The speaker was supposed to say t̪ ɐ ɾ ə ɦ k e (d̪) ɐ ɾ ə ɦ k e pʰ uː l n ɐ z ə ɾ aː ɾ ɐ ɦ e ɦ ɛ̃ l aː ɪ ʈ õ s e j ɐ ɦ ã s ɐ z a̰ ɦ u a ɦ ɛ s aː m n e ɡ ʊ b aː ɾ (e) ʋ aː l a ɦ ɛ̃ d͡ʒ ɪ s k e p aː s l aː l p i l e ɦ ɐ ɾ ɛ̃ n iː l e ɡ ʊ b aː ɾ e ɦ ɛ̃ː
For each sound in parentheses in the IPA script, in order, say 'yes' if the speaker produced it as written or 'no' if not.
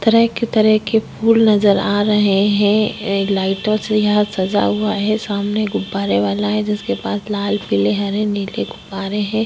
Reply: no, yes

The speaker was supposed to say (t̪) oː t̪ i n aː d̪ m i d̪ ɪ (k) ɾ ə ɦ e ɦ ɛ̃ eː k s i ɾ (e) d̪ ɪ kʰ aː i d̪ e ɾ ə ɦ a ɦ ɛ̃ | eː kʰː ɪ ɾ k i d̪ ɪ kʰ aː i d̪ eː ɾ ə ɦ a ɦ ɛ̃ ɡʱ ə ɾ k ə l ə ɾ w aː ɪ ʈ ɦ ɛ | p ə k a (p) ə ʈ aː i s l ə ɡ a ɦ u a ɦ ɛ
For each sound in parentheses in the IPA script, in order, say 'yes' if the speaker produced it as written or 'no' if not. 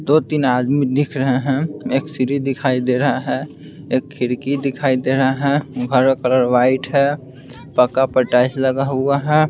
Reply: no, no, no, yes

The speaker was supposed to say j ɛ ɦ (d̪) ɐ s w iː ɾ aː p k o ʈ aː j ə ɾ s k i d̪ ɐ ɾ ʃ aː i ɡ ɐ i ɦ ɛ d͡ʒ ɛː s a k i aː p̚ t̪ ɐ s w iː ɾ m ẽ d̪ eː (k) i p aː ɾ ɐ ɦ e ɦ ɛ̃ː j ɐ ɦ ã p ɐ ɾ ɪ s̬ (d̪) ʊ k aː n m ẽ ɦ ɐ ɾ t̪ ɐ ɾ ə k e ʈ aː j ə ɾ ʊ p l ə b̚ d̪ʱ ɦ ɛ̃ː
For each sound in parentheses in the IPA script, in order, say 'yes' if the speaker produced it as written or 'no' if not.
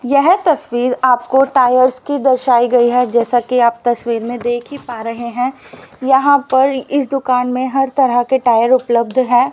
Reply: no, no, yes

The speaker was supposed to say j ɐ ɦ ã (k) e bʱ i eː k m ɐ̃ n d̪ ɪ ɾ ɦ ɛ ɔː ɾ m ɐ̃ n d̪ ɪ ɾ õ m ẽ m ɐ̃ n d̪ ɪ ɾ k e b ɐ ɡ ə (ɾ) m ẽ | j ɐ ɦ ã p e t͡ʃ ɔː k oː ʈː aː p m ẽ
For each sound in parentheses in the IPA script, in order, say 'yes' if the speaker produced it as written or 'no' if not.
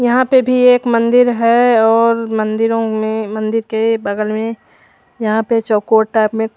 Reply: no, no

